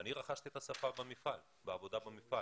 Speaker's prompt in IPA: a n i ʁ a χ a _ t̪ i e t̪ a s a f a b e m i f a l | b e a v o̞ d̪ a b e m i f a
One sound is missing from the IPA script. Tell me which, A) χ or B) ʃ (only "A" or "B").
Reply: B